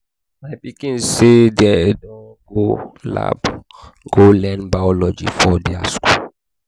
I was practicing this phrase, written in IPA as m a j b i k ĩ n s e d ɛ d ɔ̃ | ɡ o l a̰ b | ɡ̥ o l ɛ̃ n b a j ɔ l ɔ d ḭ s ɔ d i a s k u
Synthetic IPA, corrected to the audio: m a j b i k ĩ n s e d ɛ d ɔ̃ | ɡ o l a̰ b | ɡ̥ o l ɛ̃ n b a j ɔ l ɔ d͡ʒ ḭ f ɔ d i a s k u